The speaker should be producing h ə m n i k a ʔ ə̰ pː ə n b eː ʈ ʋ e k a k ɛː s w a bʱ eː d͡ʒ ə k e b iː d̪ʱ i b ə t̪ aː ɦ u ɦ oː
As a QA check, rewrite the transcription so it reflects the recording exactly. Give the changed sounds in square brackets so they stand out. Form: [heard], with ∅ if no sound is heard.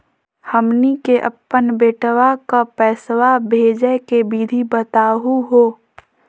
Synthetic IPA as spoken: h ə m n i k [e] ʔ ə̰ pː ə n b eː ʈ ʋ [a] k a [p] ɛː s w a bʱ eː d͡ʒ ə k e b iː d̪ʱ i b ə t̪ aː ɦ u ɦ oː